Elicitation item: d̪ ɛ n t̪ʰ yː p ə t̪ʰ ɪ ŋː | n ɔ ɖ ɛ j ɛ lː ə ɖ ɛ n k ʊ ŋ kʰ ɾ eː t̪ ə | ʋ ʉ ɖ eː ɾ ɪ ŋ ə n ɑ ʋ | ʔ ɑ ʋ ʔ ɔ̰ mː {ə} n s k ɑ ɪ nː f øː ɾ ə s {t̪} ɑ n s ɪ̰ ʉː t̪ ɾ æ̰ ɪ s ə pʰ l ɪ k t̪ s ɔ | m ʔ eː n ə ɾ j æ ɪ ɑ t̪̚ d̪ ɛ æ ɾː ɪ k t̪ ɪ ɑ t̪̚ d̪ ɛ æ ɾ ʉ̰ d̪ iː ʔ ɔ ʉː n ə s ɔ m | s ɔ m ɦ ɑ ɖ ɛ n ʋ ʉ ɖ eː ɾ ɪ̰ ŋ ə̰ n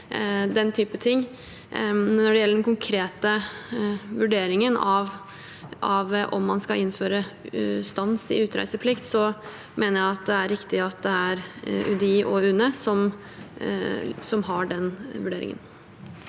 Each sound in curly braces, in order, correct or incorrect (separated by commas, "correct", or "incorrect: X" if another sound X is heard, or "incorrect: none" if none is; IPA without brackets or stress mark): incorrect: ɑ, correct